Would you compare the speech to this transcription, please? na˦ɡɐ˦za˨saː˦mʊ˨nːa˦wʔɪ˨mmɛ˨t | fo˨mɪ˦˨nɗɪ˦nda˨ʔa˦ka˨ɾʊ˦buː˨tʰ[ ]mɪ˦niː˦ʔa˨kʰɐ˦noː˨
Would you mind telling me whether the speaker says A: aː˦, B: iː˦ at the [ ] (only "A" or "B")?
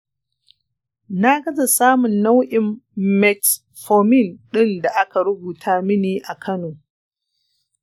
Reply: A